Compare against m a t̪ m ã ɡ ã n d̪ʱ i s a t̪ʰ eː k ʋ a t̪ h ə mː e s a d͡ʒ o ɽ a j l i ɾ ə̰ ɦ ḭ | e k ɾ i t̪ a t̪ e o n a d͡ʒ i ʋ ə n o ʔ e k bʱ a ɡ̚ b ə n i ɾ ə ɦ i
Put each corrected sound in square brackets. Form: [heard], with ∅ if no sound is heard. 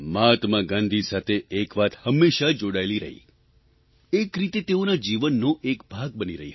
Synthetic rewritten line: m a t̪ m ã ɡ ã n d̪ʱ i s a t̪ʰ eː k ʋ a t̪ h ə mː e [ʃ] a d͡ʒ o ɽ a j l i ɾ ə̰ ɦ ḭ | e k ɾ i t̪ [e] t̪ e o n a d͡ʒ i ʋ ə [nː] o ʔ e k bʱ a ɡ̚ b ə n i ɾ ə ɦ i